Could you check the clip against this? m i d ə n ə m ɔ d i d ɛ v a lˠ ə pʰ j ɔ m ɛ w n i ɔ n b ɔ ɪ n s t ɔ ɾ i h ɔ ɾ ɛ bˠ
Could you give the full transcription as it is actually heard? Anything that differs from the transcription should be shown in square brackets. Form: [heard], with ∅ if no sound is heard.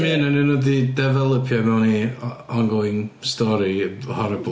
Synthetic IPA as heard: m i [n] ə n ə [n] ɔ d i d ɛ v [ɛ] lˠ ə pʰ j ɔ m ɛ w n i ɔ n [ɡ] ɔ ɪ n s t ɔ ɾ i h ɔ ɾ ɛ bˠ